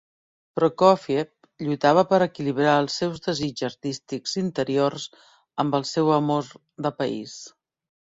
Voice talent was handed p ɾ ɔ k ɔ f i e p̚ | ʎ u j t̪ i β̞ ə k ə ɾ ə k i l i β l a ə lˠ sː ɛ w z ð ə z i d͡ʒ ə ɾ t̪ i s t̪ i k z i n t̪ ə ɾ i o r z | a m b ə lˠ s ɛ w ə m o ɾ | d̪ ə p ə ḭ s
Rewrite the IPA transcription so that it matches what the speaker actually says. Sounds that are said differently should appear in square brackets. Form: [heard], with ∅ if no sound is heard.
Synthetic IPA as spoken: p ɾ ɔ k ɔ f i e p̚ | ʎ u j t̪ [a] β̞ ə [p] ə ɾ ə k i l i β [ɾ] a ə lˠ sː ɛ w z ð ə z i d͡ʒ ə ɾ t̪ i s t̪ i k z i n t̪ ə ɾ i o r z | [ə] m b ə lˠ s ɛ w ə m o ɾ | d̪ ə p ə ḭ s